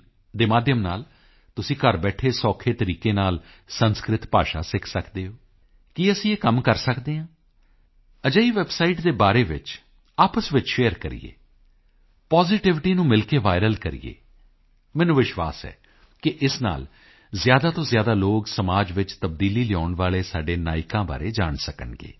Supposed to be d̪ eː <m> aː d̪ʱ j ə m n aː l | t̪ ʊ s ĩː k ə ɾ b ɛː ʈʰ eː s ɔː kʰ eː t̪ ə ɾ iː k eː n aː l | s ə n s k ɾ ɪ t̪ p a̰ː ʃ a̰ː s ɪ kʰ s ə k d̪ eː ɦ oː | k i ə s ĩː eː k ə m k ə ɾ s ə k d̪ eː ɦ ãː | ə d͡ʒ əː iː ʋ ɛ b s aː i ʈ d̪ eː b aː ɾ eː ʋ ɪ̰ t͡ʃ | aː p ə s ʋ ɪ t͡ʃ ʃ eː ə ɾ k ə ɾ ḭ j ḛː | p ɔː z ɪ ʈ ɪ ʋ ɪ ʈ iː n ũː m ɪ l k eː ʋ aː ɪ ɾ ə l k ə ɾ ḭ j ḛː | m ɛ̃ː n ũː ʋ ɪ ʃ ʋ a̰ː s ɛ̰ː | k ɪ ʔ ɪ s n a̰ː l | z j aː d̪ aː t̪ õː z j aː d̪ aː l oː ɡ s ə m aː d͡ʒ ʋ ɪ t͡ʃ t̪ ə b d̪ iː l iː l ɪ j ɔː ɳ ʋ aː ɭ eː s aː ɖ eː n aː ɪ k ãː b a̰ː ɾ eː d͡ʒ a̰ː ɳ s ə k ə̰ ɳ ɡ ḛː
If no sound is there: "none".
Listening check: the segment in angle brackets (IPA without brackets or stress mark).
m